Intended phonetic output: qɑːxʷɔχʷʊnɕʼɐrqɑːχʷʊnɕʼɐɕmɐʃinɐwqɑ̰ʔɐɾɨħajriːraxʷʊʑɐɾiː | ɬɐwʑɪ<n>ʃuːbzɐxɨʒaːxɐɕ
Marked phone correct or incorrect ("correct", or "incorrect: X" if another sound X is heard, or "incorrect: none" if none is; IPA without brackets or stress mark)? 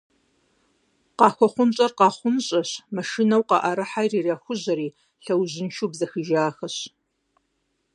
correct